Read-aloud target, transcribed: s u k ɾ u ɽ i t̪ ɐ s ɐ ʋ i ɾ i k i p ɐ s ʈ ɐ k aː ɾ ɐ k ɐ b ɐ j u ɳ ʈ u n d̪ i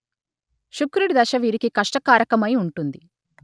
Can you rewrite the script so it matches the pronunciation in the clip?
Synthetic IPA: ʃ u k ɾ u ɽ i d̪ ɐ ʃ ɐ ʋ iː ɾ i k i k ɐ ʂ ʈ ɐ k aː ɾ ɐ k ɐ m ɐ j u ɳ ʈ u n d̪ i